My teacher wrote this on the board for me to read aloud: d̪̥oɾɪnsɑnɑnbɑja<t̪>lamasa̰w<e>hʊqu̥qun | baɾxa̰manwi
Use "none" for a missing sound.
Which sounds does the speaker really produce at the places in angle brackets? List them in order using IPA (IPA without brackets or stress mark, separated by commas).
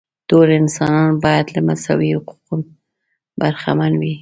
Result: d̪, i